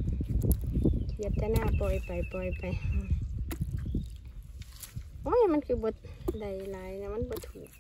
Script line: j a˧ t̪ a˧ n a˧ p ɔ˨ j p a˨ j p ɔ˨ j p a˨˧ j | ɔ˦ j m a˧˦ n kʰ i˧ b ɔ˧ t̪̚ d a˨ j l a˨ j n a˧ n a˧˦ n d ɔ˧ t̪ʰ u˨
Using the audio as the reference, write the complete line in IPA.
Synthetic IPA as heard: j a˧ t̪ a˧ n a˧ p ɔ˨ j p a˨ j p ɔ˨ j p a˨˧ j | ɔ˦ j m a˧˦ n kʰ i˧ b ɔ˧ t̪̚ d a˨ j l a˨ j n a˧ m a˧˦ n b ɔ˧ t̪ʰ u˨